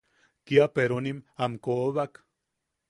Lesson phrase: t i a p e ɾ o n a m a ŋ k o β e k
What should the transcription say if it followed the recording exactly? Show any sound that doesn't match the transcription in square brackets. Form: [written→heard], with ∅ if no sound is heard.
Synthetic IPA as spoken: [t→k] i a p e ɾ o n [a→i] m a [ŋ→m] k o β [e→a] k